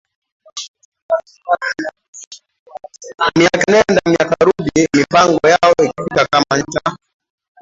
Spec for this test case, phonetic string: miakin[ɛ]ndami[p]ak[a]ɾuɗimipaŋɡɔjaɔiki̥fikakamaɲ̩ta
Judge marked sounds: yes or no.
yes, no, yes

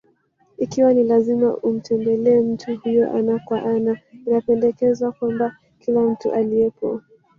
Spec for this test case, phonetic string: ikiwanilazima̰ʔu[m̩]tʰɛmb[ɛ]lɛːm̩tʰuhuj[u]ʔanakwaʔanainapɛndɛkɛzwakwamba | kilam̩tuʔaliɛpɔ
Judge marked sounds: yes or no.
yes, yes, no

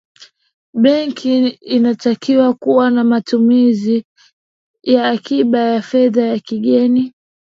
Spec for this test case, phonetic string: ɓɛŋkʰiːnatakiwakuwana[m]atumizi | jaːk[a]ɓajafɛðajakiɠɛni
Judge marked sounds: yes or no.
yes, no

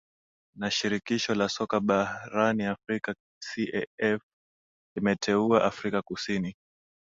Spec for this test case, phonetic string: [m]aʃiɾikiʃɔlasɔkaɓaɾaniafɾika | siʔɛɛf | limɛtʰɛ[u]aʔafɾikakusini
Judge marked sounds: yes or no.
no, yes

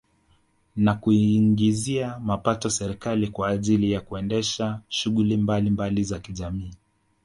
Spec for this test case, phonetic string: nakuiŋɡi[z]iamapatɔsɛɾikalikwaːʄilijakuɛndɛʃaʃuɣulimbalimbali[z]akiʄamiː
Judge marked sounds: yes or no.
yes, yes

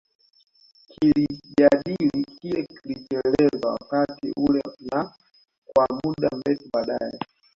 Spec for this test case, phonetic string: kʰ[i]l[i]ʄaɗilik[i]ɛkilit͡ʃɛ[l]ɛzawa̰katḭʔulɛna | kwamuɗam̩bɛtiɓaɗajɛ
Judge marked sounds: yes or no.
yes, yes, yes, yes

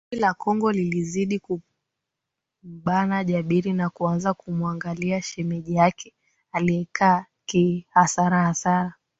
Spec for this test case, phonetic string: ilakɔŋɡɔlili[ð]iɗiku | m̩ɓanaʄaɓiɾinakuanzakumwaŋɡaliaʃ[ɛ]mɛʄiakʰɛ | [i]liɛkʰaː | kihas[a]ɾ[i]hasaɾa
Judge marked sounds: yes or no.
no, yes, no, yes, no

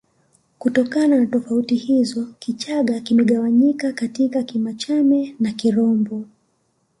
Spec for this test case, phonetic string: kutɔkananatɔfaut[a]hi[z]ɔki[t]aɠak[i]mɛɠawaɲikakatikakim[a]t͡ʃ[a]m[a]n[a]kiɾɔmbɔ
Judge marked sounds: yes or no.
no, yes, no, yes, yes, yes, no, yes

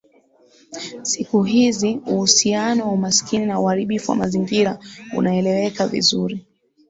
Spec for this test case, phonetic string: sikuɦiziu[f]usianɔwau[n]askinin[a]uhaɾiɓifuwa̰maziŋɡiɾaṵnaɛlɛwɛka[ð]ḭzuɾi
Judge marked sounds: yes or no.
no, no, yes, no

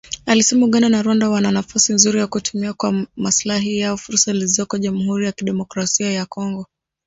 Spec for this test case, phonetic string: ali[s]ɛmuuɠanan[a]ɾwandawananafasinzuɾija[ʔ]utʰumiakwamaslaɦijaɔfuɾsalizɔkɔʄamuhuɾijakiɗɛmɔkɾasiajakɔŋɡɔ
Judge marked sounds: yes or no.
yes, yes, no

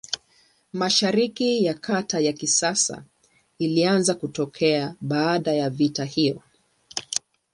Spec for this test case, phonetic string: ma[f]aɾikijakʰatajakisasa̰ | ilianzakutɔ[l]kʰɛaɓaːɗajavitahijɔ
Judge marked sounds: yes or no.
no, no

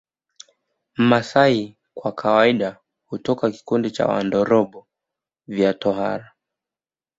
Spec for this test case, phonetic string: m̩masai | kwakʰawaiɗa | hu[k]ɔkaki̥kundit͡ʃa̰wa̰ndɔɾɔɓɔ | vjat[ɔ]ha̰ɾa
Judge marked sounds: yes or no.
no, yes

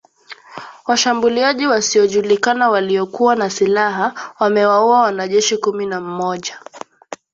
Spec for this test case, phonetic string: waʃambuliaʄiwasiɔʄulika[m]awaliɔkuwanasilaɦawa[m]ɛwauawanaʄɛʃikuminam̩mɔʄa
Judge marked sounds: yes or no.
no, yes

